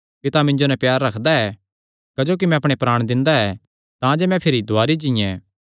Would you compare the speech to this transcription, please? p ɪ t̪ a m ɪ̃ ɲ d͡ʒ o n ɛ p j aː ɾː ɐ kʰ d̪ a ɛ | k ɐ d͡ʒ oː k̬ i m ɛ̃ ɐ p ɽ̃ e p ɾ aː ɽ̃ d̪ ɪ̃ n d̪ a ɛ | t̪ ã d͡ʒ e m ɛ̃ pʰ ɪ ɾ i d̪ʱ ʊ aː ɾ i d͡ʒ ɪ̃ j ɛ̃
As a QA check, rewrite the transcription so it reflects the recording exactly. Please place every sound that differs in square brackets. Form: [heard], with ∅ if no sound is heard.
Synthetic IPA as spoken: p ɪ t̪ a m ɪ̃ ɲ d͡ʒ o n ɛ p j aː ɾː ɐ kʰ d̪ a ɛ | k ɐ d͡ʒ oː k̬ i m ɛ̃ ɐ p ɽ̃ e p ɾ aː ɽ̃ d̪ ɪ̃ n d̪ a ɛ | t̪ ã d͡ʒ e m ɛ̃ pʰ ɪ ɾ i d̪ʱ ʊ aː ɾ i d͡ʒ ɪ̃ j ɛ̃